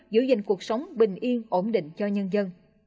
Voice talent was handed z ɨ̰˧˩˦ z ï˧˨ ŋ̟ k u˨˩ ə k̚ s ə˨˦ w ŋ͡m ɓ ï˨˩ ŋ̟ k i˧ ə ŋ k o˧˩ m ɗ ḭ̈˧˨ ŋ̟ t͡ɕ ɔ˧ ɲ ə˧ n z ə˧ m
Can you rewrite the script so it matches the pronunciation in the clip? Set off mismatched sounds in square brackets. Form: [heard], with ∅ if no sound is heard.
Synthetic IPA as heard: z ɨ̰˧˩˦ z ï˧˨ ŋ̟ k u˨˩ ə k̚ s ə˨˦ w ŋ͡m ɓ ï˨˩ ŋ̟ [ʔ] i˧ ə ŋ [ʔ] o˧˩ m ɗ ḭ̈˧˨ ŋ̟ t͡ɕ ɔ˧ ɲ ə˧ n z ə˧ [n]